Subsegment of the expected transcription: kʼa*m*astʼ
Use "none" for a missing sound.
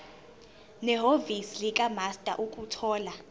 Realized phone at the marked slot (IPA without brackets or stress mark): m